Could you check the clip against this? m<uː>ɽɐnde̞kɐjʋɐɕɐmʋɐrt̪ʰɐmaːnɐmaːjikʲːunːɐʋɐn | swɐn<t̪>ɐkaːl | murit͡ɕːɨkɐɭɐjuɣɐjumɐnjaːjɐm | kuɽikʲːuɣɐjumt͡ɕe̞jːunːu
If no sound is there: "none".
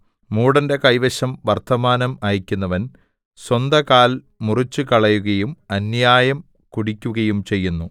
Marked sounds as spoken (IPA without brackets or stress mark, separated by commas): uː, d̪